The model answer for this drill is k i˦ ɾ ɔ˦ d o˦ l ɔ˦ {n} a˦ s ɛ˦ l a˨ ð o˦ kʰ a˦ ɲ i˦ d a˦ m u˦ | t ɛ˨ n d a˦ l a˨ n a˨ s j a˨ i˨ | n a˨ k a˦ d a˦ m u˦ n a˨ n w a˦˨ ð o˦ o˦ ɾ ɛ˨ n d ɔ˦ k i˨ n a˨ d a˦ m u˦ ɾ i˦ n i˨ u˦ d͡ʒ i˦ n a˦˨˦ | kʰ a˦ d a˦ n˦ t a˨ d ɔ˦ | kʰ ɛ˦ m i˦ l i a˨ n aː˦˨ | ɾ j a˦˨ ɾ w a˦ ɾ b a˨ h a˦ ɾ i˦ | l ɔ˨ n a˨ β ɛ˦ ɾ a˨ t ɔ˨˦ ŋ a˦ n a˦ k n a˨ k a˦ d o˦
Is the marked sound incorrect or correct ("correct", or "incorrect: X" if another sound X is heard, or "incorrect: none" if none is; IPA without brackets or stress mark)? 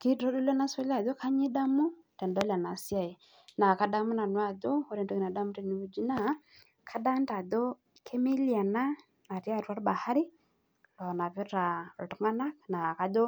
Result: correct